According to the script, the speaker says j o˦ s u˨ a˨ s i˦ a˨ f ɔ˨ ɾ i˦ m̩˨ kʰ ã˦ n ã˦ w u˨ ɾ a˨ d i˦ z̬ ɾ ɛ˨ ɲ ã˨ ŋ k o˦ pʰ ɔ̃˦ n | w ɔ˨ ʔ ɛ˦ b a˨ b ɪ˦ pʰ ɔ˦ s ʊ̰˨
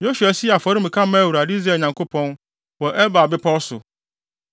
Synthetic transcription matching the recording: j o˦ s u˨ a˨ s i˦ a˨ f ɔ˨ ɾ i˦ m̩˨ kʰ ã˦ m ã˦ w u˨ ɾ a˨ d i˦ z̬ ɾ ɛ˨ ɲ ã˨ ŋ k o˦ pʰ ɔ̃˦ n | w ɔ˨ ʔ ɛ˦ b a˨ b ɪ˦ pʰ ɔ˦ s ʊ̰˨